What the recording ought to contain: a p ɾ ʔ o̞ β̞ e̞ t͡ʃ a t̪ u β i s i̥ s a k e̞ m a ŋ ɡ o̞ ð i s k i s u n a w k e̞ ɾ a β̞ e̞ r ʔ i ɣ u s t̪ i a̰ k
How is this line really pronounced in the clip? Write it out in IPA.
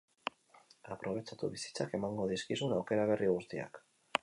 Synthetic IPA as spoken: a p ɾ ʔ o̞ β̞ e̞ t͡ʃ a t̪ u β i s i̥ t͡s a k e̞ m a ŋ ɡ o̞ ð i s k i s u n a w k e̞ ɾ a β̞ e̞ r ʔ i ɣ u s t̪ i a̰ k